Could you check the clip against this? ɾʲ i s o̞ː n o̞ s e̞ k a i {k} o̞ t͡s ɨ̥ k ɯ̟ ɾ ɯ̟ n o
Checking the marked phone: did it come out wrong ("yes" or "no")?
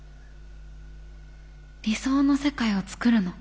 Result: yes